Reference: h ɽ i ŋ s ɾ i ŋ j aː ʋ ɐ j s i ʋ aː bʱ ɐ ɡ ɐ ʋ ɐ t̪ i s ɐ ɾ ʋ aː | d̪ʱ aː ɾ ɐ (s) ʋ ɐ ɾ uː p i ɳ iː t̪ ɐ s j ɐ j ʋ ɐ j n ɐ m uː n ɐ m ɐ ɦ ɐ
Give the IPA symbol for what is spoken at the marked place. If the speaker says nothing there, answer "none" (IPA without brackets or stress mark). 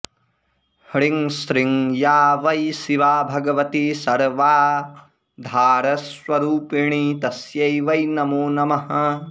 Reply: s